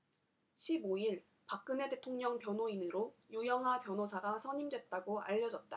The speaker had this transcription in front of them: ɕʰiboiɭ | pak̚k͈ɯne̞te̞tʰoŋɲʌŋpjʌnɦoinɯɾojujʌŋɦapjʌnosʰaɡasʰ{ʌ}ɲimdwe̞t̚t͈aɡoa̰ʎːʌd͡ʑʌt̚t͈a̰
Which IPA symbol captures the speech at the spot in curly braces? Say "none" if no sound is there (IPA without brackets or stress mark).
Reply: ʌ